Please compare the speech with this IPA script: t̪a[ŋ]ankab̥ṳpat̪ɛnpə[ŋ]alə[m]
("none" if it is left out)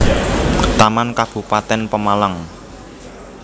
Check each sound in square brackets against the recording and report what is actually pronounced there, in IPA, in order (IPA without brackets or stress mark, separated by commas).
m, m, ŋ